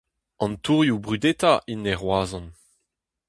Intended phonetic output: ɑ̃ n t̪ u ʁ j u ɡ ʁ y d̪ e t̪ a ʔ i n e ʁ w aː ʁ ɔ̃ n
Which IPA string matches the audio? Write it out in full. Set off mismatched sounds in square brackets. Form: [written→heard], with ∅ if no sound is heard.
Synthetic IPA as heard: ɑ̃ n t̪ u ʁ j u [ɡ→b] ʁ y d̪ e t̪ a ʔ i n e ʁ w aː [ʁ→z] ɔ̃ n